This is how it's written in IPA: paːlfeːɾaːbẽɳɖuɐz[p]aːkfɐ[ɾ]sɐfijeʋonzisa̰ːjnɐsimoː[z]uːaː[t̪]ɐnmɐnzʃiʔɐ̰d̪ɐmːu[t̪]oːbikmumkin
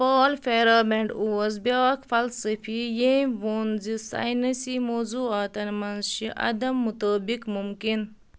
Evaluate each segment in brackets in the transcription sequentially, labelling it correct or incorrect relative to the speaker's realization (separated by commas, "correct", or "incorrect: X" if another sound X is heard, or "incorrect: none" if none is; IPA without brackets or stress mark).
incorrect: b, incorrect: l, correct, correct, correct